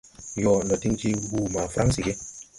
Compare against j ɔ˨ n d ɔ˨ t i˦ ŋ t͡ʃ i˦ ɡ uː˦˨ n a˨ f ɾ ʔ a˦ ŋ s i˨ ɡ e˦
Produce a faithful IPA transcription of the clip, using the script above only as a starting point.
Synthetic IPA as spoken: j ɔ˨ n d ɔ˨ t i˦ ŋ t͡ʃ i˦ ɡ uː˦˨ m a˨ f ɾ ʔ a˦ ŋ s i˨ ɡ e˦